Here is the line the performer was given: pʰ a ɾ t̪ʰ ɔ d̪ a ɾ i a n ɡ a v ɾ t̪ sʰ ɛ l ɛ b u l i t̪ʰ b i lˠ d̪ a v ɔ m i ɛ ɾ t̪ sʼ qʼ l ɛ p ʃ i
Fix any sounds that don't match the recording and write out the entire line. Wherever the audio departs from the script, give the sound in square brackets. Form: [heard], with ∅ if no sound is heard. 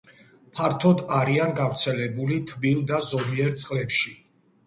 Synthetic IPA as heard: pʰ a ɾ t̪ʰ ɔ d̪ a ɾ i a n ɡ a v ɾ t̪ sʰ ɛ l ɛ b u l i t̪ʰ b i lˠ d̪ a [z] ɔ m i ɛ ɾ t̪ sʼ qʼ l ɛ p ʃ i